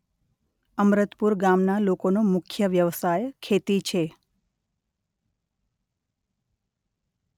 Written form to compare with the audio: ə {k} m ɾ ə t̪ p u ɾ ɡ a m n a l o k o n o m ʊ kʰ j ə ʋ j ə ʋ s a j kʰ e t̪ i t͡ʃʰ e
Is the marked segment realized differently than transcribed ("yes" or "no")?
yes